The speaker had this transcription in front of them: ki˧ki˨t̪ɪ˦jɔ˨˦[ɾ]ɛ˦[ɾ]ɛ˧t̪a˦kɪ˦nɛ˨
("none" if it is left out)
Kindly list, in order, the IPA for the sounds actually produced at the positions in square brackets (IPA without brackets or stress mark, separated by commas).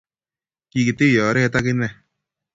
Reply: ɾ, none